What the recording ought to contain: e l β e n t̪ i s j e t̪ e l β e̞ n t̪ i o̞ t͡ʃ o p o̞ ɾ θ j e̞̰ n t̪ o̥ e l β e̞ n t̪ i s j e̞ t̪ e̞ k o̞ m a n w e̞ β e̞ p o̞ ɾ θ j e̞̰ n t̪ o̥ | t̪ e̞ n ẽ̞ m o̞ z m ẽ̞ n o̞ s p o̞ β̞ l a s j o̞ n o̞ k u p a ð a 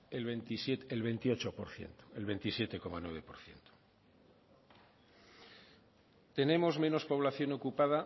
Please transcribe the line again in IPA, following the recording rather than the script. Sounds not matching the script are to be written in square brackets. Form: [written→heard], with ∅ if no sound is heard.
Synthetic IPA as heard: e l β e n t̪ i s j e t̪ e l β e̞ n t̪ i o̞ t͡ʃ o p o̞ ɾ θ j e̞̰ n t̪ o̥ e l β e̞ n t̪ i s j e̞ t̪ e̞ k o̞ m a n w e̞ β e̞ p o̞ ɾ θ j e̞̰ n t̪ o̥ | t̪ e̞ n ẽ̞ m o̞ z m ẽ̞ n o̞ s p o̞ β̞ l a [s→θ] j o̞ n o̞ k u p a ð a

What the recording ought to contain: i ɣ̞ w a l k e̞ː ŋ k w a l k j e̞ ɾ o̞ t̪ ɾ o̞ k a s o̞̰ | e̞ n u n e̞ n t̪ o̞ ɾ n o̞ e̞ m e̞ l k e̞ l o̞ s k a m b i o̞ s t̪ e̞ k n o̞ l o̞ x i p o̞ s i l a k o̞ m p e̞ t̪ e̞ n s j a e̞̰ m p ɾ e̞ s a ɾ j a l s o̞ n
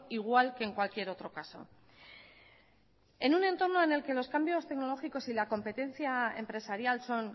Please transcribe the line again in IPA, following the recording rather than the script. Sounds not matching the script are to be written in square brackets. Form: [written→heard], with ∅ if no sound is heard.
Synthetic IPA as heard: i ɣ̞ w a l k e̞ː ŋ k w a l k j e̞ ɾ o̞ t̪ ɾ o̞ k a s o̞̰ | e̞ n u n e̞ n t̪ o̞ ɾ n o̞ e̞ [m→n] e̞ l k e̞ l o̞ s k a m b [i→j] o̞ s t̪ e̞ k n o̞ l o̞ x i [p→k] o̞ s i l a k o̞ m p e̞ t̪ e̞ n [s→θ] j a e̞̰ m p ɾ e̞ s a ɾ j a l s o̞ n

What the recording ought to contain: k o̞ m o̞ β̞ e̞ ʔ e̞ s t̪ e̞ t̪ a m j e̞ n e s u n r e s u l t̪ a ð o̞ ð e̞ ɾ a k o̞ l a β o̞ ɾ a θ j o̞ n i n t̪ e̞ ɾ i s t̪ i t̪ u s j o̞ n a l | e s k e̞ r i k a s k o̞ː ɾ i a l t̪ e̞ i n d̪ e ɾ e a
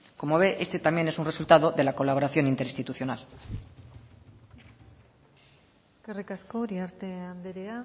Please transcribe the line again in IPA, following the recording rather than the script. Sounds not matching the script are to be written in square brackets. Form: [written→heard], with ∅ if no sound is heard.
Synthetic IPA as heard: k o̞ m o̞ β̞ e̞ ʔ e̞ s t̪ e̞ t̪ a m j e̞ n e s u n r e s u l t̪ a ð o̞ ð e̞ [ɾ→l] a k o̞ l a β o̞ ɾ a θ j o̞ n i n t̪ e̞ ɾ i s t̪ i t̪ u [s→θ] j o̞ n a l | e s k e̞ r i k a s k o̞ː ɾ i a [l→ɾ] t̪ e̞ [i→a] n d̪ e ɾ e a

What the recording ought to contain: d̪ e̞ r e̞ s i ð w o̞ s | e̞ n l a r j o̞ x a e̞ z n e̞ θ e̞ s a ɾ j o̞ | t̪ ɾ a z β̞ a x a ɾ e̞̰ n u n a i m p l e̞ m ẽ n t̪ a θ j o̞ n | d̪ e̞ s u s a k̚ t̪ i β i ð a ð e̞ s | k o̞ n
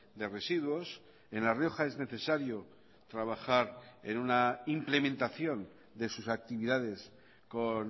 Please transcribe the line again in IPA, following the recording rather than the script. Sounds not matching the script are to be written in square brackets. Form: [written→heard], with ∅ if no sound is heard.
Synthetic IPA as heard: d̪ e̞ r e̞ s i ð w o̞ s | e̞ n l a r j o̞ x a e̞ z n e̞ θ e̞ s a ɾ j o̞ | t̪ ɾ a [z→∅] β̞ a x a ɾ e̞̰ n u n a i m p l e̞ m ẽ n t̪ a θ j o̞ n | d̪ e̞ s u s a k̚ t̪ i β i ð a ð e̞ s | k o̞ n

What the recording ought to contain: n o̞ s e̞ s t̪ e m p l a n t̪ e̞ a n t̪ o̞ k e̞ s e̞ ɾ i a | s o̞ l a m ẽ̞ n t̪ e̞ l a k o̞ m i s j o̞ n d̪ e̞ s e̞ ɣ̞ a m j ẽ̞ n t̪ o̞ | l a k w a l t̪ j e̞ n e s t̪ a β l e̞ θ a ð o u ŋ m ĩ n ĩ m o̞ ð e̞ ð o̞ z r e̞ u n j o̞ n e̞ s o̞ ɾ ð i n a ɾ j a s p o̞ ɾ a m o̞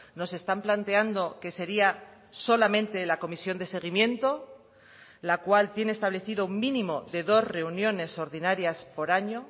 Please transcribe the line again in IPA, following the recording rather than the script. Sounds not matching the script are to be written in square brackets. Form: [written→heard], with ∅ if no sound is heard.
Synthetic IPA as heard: n o̞ s e̞ s t̪ [e→a] m p l a n t̪ e̞ a n [t̪→d̪] o̞ k e̞ s e̞ ɾ i a | s o̞ l a m ẽ̞ n t̪ e̞ l a k o̞ m i s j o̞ n d̪ e̞ s e̞ ɣ̞ [a→i] m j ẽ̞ n t̪ o̞ | l a k w a l t̪ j e̞ n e s t̪ a β l e̞ θ [a→i] ð o u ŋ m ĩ n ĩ m o̞ ð e̞ ð o̞ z r e̞ u n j o̞ n e̞ s o̞ ɾ ð i n a ɾ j a s p o̞ ɾ a [m→ɲ] o̞

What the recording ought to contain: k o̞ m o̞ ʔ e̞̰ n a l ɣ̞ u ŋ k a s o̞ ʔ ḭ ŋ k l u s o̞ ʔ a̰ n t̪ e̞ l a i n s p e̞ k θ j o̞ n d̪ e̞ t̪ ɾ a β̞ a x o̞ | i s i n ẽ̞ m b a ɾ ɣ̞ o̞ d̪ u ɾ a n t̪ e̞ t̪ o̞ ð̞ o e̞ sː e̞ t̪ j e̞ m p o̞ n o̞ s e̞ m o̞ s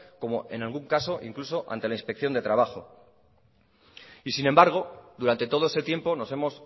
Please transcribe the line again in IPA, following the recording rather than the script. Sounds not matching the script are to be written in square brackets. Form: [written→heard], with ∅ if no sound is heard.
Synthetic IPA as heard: k o̞ m o̞ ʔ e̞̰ n a l ɣ̞ u ŋ k a s o̞ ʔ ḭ ŋ k l u s o̞ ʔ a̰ n t̪ e̞ l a i n s p e̞ k θ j o̞ n d̪ e̞ t̪ ɾ a β̞ a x o̞ | i s i n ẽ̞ m b a ɾ ɣ̞ o̞ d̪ u ɾ a n t̪ e̞ t̪ o̞ ð̞ o e̞ [sː→s] e̞ t̪ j e̞ m p o̞ n o̞ s e̞ m o̞ s

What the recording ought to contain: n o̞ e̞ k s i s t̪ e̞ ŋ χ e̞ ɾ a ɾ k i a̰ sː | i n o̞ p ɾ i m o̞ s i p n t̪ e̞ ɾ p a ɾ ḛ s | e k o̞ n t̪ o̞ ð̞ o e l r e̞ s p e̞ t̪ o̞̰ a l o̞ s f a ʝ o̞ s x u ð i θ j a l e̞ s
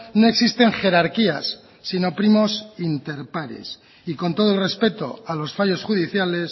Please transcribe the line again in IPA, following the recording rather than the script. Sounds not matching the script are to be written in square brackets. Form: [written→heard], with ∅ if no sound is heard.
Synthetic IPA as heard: n o̞ e̞ k s i s t̪ e̞ ŋ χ e̞ ɾ a ɾ k i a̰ sː | i n o̞ p ɾ i m o̞ s i [p→∅] n t̪ e̞ ɾ p a ɾ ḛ s | [e→i] k o̞ n t̪ o̞ ð̞ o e l r e̞ s p e̞ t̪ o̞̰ a l o̞ s f a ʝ o̞ s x u ð i θ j a l e̞ s

